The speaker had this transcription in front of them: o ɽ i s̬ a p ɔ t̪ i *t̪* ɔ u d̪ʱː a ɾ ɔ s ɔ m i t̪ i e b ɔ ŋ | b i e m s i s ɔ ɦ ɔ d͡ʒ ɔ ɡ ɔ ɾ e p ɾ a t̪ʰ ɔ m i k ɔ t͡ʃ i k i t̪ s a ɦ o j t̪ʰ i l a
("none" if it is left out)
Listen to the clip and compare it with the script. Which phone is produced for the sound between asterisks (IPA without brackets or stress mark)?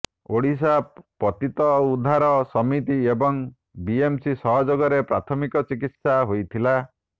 t̪